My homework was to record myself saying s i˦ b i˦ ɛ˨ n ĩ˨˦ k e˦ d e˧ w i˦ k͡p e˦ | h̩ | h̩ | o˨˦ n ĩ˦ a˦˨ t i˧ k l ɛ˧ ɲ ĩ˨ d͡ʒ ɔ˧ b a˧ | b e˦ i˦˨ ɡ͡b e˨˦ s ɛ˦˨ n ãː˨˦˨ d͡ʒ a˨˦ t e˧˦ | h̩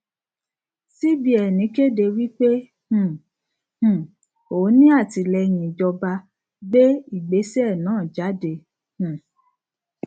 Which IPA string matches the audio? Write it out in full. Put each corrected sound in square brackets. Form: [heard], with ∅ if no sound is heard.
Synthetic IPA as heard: s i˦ b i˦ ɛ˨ n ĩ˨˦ k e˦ d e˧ w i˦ k͡p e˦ | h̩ | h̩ | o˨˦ n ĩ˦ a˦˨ t i˧ [∅] l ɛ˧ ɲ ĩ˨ d͡ʒ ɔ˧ b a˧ | b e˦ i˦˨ ɡ͡b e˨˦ s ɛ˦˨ n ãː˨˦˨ d͡ʒ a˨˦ [d] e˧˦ | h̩